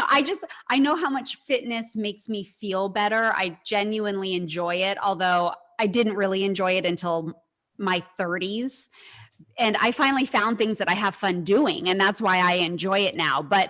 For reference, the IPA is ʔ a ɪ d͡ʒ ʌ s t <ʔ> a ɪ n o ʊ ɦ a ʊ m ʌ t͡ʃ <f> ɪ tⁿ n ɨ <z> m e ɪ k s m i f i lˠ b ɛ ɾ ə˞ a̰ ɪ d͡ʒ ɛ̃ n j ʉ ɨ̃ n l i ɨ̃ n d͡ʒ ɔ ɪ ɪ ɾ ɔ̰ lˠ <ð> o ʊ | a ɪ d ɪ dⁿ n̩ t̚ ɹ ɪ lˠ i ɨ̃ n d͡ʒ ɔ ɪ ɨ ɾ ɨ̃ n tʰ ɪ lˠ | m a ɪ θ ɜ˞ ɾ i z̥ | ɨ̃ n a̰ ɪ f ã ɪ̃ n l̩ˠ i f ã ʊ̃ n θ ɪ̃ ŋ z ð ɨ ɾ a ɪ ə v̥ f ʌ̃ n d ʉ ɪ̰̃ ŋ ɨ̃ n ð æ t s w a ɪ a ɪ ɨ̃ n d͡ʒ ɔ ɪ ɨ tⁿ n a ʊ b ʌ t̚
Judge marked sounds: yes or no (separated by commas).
yes, yes, no, yes